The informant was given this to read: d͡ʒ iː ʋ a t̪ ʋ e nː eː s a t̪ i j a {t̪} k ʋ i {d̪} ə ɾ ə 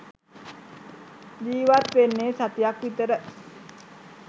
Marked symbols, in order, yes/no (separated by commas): no, no